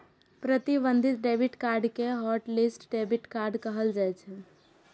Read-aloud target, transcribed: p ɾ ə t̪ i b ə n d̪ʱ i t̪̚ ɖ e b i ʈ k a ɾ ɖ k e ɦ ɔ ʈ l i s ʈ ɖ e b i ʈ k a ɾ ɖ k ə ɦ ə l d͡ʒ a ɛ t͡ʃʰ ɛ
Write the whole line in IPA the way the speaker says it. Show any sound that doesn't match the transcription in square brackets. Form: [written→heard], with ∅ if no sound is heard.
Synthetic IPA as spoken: p ɾ ə t̪ i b ə n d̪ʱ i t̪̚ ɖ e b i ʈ k a ɾ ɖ k e ɦ ɔ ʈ l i s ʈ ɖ e b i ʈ k a ɾ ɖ k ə ɦ ə l d͡ʒ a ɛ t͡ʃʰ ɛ